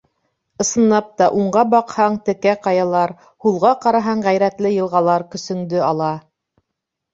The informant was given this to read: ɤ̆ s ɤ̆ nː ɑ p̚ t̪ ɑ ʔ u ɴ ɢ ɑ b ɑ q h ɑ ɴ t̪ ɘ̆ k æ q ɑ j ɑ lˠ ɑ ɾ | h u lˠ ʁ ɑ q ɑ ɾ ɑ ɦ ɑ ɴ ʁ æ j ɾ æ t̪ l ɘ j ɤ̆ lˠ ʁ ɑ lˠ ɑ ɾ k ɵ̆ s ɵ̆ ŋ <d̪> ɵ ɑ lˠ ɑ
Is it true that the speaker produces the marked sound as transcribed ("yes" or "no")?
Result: yes